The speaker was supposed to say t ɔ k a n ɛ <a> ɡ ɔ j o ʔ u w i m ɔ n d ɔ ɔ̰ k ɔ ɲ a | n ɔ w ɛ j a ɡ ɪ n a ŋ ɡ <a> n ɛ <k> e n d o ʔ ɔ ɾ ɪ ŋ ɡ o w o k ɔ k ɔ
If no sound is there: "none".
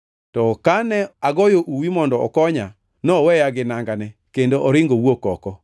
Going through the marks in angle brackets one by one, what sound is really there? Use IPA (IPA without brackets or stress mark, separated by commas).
a, a, k